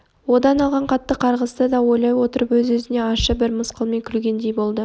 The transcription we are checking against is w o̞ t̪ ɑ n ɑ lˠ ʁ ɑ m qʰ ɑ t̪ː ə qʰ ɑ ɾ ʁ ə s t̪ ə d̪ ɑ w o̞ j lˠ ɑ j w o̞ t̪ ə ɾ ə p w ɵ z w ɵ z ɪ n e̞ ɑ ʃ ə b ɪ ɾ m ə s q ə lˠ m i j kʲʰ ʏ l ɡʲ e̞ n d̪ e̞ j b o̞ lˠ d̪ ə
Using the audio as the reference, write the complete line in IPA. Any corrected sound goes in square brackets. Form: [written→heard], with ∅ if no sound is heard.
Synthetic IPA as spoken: w o̞ [t̪→d̪] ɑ n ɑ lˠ ʁ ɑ [m→ɴ] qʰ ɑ t̪ː ə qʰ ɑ ɾ ʁ ə s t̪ ə d̪ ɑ w o̞ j lˠ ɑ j w o̞ t̪ ə ɾ ə p w ɵ z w ɵ z ɪ n e̞ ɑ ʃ ə b ɪ ɾ m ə s q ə lˠ m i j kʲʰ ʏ l ɡʲ e̞ n d̪ e̞ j b o̞ lˠ d̪ ə

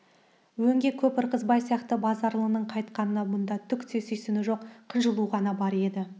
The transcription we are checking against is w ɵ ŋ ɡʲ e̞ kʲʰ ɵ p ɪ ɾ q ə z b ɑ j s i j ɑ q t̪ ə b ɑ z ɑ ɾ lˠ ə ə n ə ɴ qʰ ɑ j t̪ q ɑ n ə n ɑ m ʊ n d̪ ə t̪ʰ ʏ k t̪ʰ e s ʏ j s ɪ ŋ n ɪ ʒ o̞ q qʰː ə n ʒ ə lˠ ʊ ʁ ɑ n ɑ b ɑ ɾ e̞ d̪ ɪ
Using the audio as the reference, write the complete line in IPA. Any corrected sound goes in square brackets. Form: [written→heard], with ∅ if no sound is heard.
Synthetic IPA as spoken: w ɵ ŋ ɡʲ e̞ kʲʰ ɵ p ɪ ɾ q ə z b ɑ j s i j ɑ q t̪ ə b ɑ z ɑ ɾ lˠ ə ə n ə ɴ qʰ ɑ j t̪ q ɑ n ə n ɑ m ʊ n d̪ [ə→ɑ] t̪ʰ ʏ k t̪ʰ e s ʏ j s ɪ [ŋ→∅] n ɪ ʒ o̞ q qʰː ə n ʒ ə lˠ [ʊ→u] ʁ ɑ n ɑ b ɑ ɾ e̞ d̪ ɪ

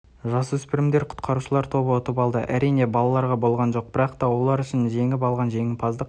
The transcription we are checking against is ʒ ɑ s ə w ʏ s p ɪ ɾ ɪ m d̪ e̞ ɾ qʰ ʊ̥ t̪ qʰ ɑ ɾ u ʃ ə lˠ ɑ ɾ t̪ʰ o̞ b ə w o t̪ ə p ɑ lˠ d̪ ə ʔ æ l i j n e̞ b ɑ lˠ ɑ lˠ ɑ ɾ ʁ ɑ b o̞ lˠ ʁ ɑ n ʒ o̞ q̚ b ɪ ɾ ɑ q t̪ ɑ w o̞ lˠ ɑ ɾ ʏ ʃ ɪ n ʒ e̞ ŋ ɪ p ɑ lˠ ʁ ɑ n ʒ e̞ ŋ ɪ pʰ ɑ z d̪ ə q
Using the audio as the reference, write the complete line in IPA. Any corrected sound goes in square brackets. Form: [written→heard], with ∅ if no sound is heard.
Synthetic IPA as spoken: ʒ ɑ s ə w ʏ s p ɪ ɾ ɪ m d̪ e̞ ɾ qʰ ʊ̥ t̪ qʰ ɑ ɾ u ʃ ə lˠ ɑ ɾ t̪ʰ o̞ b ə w o t̪ ə p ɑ lˠ d̪ ə ʔ æ [l→ɾ] i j n e̞ b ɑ lˠ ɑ lˠ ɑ ɾ ʁ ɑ b o̞ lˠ ʁ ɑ n ʒ o̞ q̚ b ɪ ɾ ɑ q t̪ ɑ w o̞ lˠ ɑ ɾ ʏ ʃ ɪ n ʒ e̞ ŋ ɪ p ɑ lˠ ʁ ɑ n ʒ e̞ ŋ ɪ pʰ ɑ z d̪ ə q

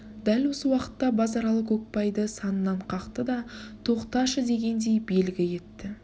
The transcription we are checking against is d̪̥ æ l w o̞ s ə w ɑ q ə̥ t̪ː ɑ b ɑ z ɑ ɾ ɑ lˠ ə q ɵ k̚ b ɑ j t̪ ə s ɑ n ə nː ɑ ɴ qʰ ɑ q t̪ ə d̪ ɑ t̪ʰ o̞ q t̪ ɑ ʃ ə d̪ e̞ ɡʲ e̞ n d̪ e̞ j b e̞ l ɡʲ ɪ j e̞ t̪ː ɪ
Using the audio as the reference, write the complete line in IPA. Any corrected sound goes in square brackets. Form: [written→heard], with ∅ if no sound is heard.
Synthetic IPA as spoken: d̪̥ æ l w o̞ s ə w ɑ q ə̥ t̪ː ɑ b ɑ z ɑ ɾ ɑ lˠ ə q ɵ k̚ [b→p] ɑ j [t̪→d̪] ə s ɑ n ə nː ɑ ɴ qʰ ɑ q t̪ ə d̪ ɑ t̪ʰ o̞ q t̪ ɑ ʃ ə d̪ e̞ ɡʲ e̞ n d̪ e̞ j b e̞ l ɡʲ ɪ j e̞ t̪ː ɪ

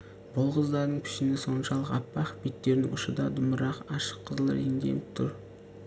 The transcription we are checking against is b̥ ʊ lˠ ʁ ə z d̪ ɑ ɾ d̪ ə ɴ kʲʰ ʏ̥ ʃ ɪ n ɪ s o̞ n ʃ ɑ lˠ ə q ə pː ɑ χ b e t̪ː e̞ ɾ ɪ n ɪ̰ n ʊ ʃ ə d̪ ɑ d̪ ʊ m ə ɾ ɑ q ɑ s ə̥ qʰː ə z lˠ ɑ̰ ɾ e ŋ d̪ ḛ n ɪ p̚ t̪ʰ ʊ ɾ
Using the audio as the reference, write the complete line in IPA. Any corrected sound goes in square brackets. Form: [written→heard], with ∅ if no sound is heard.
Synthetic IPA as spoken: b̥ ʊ lˠ ʁ ə z d̪ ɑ ɾ d̪ ə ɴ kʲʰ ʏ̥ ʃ ɪ n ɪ s o̞ n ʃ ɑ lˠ ə q [ə→ɑ] pː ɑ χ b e t̪ː e̞ ɾ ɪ n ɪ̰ [n→ŋ] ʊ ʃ ə d̪ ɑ d̪ ʊ m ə ɾ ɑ q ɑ [s→ʃ] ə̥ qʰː ə z lˠ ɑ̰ ɾ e ŋ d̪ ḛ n ɪ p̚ t̪ʰ ʊ ɾ

